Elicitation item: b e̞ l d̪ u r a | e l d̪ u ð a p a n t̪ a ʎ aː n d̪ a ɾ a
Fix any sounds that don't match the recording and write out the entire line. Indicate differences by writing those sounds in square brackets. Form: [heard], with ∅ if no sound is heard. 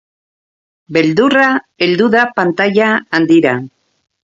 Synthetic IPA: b e̞ l d̪ u r a | e l d̪ u ð a p a n t̪ a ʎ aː n d̪ [i] ɾ a